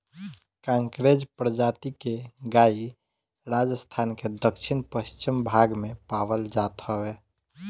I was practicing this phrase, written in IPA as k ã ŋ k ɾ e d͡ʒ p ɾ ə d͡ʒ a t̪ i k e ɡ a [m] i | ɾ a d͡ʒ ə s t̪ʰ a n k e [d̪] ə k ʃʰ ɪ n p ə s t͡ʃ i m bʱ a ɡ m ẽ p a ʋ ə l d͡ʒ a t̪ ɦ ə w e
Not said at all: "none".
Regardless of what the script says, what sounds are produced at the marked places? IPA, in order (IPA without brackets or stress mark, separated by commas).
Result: none, d̪